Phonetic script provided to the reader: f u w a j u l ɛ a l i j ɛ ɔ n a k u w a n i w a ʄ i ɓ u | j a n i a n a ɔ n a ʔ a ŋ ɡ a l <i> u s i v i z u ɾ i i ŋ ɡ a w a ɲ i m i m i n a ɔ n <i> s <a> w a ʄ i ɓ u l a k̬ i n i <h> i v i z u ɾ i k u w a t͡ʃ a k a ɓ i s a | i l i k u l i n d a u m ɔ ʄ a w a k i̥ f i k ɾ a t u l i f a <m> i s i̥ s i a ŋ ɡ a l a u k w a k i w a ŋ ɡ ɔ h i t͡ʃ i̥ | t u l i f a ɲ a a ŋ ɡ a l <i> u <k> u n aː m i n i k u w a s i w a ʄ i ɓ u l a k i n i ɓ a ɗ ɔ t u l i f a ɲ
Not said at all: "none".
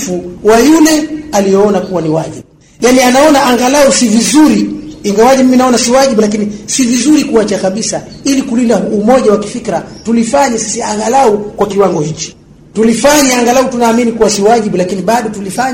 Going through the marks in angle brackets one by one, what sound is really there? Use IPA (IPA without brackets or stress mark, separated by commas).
a, a, i, s, ɲ, a, t